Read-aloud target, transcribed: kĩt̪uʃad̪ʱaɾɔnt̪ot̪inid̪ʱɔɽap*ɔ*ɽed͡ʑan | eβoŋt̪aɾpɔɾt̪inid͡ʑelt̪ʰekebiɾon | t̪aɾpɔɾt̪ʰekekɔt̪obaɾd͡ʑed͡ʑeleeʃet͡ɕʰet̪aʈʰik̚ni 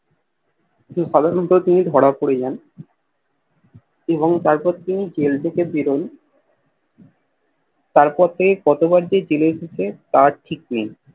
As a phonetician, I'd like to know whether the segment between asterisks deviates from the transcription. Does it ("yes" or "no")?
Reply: yes